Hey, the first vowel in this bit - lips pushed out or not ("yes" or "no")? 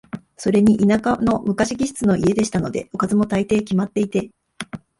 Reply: yes